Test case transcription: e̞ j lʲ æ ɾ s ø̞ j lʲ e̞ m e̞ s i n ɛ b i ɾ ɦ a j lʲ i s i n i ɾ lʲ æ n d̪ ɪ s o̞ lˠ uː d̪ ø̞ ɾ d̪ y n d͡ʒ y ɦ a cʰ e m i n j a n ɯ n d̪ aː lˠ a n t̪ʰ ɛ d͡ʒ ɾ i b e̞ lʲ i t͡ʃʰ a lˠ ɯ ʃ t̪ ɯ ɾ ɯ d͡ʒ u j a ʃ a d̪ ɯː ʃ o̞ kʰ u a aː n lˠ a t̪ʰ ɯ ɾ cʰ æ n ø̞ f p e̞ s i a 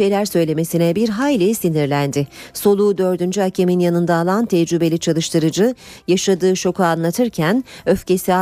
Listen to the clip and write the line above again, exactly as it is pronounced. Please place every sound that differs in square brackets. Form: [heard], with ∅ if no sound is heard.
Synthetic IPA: e̞ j lʲ æ ɾ s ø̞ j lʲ e̞ m e̞ s i n ɛ b i ɾ ɦ a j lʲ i s i n i ɾ lʲ æ n d̪ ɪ s o̞ lˠ uː d̪ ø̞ ɾ d̪ y n d͡ʒ y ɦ a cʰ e m i n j a n ɯ n d̪ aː lˠ a n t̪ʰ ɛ d͡ʒ ɾ [y] b e̞ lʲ i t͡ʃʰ a lˠ ɯ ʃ t̪ ɯ ɾ ɯ d͡ʒ [ɯ] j a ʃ a d̪ ɯː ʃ o̞ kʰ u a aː n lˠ a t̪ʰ ɯ ɾ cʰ æ n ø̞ f [c] e̞ s i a